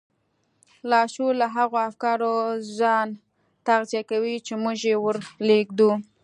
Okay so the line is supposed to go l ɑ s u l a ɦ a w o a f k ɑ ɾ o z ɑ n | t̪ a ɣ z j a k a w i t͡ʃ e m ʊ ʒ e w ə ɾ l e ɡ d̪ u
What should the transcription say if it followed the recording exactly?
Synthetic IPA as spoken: l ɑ ʃ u l a ɦ a ɣ o a f k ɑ ɾ o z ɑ n | t̪ a ɣ z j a k a w i t͡ʃ e m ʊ ʒ e w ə ɾ l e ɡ d̪ u